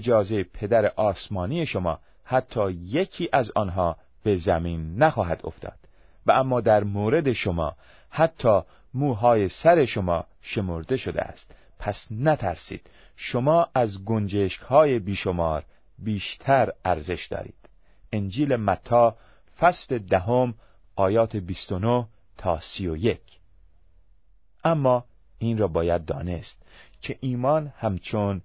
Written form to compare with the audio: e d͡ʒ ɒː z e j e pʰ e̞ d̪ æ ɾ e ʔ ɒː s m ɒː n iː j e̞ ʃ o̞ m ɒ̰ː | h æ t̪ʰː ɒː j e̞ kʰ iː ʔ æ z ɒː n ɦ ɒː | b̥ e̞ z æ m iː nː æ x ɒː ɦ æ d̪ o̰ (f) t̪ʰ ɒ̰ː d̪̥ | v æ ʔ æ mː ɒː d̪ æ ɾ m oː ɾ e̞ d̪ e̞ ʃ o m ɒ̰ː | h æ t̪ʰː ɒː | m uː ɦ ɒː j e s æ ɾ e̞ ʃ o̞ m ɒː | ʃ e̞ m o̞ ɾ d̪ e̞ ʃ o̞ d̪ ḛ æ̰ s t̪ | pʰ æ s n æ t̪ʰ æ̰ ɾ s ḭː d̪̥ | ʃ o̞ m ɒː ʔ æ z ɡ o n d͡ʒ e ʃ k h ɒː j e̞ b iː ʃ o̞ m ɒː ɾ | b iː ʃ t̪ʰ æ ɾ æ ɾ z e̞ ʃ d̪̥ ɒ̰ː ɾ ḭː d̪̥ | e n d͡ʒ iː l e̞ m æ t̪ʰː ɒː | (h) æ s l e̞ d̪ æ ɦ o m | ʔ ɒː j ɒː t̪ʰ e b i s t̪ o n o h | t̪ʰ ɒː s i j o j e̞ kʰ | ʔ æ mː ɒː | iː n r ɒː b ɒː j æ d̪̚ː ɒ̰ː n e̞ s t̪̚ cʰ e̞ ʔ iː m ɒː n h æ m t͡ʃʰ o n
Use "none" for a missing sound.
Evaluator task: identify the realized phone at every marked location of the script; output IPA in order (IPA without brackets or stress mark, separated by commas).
f, f